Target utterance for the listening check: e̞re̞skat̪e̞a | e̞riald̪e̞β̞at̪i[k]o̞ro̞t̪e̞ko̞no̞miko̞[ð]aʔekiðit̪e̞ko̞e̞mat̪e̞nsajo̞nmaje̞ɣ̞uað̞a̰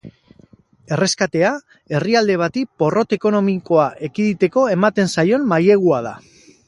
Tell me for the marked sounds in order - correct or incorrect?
incorrect: p, incorrect: none

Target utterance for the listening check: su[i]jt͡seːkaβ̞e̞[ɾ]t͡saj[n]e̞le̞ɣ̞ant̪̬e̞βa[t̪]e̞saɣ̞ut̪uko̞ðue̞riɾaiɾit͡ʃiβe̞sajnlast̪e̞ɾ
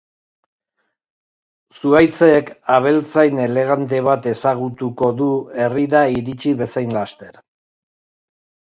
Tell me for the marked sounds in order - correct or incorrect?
incorrect: a, incorrect: l, correct, correct

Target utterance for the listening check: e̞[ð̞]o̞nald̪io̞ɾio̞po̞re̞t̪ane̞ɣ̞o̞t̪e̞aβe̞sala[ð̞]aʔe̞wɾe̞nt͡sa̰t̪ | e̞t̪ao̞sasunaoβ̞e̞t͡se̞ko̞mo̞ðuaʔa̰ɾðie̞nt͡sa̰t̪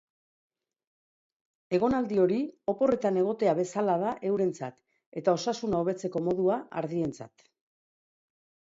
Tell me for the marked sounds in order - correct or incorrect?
incorrect: ɣ̞, correct

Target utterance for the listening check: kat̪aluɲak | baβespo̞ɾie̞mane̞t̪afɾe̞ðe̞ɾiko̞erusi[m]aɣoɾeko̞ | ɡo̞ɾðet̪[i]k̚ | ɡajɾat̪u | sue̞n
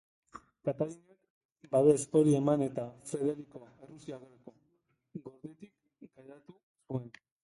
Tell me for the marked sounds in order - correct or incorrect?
incorrect: none, correct

